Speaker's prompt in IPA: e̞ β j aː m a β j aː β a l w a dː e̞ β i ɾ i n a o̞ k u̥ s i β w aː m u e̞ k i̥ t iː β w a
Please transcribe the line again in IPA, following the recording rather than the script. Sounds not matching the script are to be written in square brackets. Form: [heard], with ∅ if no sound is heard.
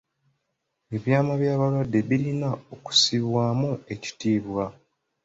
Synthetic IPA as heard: e̞ β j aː m a β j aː β a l w a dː e̞ β i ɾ i n a o̞ k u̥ s i β w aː m u e̞ [c] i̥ t iː β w a